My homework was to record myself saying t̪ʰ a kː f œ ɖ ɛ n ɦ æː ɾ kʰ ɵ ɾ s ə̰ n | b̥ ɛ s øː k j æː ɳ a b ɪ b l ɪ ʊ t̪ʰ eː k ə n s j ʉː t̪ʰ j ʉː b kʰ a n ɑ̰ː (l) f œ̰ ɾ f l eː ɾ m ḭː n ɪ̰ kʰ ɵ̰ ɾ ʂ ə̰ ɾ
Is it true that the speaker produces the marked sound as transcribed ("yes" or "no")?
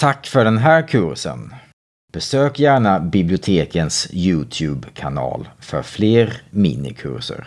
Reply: yes